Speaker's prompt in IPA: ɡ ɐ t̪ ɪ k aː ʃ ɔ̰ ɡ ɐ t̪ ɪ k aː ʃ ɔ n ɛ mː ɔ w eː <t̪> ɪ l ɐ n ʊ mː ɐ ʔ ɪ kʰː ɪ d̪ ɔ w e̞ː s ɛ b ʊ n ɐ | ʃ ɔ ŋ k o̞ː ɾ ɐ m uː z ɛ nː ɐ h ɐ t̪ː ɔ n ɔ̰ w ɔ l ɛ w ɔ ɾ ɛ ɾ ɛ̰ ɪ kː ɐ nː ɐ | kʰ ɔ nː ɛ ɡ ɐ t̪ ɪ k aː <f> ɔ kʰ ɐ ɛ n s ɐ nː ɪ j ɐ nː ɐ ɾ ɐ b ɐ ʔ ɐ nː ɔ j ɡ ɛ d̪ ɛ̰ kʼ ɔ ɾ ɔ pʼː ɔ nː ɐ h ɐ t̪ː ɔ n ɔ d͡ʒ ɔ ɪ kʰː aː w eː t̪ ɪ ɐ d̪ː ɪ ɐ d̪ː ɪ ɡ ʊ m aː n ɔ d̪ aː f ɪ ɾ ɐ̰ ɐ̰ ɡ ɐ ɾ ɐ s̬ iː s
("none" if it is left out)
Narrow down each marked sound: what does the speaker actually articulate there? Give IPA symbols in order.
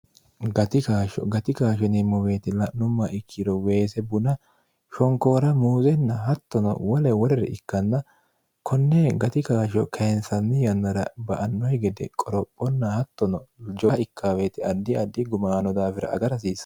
t̪, ʃ

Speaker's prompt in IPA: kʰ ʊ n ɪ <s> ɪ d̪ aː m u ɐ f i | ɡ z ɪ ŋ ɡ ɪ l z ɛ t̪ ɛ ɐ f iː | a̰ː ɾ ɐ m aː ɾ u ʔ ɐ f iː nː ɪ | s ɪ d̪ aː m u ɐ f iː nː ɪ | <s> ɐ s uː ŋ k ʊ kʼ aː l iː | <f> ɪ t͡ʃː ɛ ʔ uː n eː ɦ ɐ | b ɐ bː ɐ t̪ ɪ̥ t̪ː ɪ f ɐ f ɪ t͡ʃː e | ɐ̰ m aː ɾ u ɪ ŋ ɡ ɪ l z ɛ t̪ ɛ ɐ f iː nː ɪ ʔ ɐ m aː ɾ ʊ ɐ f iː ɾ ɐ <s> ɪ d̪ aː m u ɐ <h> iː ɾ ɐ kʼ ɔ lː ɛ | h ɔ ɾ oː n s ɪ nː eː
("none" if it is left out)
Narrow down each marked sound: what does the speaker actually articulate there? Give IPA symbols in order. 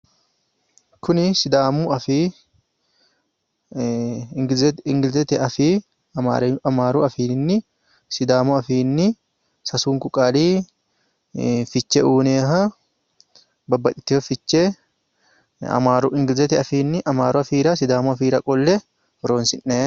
s, s, f, s, f

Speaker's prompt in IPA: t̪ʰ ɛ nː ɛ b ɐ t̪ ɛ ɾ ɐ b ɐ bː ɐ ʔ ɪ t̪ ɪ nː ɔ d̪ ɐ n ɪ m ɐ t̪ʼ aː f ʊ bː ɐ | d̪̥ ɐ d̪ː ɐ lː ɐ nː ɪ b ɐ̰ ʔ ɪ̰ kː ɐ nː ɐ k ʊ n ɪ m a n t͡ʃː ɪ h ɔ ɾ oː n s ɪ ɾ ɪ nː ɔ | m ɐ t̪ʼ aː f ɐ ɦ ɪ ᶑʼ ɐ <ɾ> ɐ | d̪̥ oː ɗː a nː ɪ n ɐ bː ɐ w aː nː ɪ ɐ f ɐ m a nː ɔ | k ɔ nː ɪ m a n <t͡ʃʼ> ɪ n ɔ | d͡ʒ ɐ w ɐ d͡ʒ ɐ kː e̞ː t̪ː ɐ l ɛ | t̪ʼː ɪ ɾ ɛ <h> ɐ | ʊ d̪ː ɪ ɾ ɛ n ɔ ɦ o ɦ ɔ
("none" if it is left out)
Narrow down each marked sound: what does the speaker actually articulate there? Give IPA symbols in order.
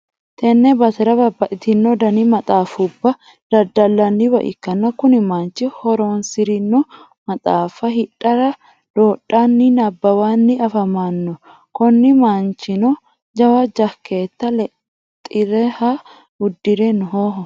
ɾ, t͡ʃ, h

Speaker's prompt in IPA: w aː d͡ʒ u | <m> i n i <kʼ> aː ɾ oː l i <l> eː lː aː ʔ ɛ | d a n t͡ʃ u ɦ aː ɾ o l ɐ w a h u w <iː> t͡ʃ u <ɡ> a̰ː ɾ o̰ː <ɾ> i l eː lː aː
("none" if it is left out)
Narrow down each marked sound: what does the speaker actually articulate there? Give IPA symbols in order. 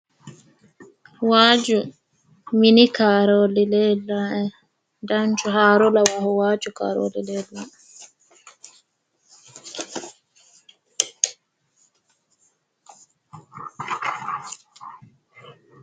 m, k, l, aː, k, l

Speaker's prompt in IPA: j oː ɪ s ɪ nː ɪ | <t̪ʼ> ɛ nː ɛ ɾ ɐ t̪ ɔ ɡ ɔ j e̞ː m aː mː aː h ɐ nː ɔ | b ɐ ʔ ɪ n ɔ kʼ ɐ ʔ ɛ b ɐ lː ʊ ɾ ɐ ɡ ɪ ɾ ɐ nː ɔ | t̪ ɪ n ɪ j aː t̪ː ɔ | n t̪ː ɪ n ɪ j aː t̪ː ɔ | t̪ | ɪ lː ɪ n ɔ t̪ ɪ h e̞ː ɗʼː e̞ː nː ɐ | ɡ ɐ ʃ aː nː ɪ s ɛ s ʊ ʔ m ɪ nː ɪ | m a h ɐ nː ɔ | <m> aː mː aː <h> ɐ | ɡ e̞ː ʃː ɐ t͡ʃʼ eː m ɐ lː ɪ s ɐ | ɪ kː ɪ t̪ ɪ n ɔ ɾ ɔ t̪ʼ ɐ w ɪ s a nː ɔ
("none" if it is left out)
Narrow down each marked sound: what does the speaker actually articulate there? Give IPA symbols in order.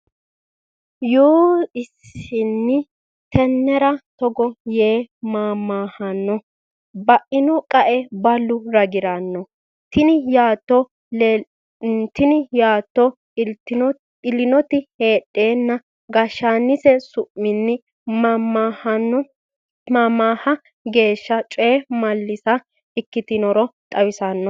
t̪, m, h

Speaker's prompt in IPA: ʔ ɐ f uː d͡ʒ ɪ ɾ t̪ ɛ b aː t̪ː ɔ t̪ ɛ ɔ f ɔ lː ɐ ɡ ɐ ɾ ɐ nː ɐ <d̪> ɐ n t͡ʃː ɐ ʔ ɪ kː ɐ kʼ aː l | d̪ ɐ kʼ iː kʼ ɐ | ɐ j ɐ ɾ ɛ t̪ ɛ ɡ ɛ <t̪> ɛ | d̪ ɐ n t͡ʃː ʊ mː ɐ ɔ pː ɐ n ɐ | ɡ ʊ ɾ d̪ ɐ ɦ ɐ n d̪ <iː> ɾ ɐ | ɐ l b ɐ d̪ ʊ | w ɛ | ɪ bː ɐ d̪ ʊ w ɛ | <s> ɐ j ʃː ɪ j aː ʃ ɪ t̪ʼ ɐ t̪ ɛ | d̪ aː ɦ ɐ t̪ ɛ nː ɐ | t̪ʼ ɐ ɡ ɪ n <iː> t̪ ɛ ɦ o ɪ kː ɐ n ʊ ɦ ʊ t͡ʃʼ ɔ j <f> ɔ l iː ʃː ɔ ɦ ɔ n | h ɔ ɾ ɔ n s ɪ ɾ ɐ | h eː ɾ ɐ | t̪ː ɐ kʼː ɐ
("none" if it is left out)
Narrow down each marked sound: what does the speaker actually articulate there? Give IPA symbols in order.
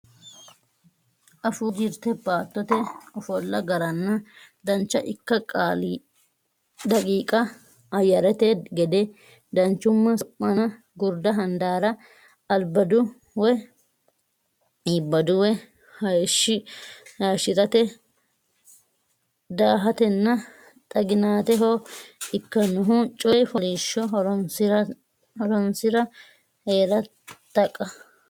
d̪, d̪, aː, h, aː, f

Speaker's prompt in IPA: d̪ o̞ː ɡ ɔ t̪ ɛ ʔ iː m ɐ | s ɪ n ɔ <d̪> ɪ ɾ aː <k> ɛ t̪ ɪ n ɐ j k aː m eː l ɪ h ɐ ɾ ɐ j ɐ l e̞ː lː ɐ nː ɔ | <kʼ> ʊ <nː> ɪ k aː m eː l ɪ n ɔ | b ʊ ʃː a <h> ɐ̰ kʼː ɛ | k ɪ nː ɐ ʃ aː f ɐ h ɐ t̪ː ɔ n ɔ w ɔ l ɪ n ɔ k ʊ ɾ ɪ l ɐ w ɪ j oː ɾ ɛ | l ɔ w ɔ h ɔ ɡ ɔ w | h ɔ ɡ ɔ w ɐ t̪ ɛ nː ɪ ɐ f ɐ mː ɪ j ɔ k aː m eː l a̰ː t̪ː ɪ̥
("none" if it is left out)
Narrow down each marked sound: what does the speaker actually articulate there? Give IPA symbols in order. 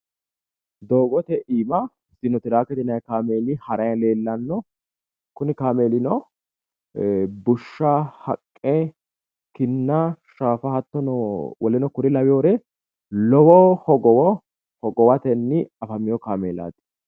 t̪, k, k, n, h

